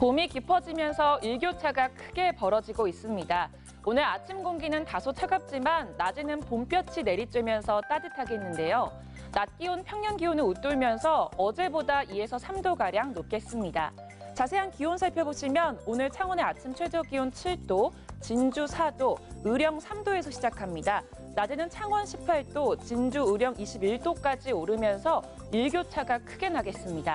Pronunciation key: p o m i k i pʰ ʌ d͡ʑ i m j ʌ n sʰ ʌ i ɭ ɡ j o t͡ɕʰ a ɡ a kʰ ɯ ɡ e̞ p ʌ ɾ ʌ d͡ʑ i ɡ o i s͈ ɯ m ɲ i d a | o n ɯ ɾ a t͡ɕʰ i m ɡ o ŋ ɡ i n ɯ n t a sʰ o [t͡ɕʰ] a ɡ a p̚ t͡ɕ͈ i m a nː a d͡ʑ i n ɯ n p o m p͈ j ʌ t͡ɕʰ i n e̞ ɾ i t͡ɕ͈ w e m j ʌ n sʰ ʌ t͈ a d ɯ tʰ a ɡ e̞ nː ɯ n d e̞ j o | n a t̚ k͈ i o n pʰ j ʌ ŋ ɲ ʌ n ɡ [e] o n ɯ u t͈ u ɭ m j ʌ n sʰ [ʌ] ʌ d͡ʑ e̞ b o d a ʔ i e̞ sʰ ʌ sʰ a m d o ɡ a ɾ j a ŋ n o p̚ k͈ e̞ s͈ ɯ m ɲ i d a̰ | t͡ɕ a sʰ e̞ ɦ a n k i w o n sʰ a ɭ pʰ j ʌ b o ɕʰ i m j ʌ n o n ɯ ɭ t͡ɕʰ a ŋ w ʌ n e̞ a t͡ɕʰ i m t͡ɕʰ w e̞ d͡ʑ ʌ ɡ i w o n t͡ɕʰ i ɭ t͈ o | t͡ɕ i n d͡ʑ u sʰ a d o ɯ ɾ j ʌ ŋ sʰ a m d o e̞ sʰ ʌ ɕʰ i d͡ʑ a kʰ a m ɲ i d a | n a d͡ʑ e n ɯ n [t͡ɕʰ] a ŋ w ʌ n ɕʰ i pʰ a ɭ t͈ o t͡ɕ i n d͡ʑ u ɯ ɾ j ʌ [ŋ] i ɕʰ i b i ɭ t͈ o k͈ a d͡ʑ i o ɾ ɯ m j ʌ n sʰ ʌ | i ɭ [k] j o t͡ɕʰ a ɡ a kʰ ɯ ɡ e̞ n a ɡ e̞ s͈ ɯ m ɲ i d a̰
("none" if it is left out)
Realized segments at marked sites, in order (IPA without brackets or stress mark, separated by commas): t͡ɕʰ, i, ʌ, t͡ɕʰ, ŋ, ɡ